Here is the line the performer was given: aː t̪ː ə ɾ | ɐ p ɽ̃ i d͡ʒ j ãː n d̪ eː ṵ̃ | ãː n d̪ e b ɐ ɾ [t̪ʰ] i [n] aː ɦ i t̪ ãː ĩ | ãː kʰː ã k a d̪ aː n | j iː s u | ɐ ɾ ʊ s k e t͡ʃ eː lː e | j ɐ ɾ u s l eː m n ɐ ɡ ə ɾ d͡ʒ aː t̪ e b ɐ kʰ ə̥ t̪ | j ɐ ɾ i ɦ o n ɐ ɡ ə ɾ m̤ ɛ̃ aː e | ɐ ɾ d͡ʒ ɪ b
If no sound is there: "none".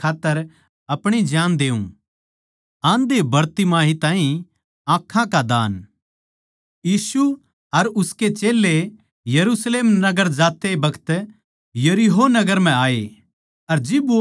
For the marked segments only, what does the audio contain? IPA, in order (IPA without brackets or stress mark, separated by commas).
t̪, m